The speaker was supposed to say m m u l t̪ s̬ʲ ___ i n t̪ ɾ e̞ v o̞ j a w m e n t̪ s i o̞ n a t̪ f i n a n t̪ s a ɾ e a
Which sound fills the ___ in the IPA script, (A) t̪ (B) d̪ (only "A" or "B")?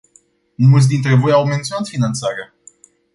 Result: B